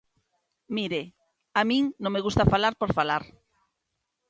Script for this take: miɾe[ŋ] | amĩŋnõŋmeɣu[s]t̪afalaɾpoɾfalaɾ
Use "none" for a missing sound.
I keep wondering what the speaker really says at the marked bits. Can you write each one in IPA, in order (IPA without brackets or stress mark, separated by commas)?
none, s